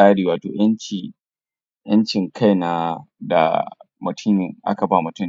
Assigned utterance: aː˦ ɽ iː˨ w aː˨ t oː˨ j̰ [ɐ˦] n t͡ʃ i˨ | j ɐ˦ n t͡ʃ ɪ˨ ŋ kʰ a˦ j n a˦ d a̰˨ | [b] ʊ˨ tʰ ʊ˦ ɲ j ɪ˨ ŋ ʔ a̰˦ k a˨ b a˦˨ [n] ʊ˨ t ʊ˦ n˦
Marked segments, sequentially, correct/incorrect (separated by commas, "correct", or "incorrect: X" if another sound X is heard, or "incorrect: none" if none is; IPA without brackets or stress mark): correct, incorrect: m, incorrect: m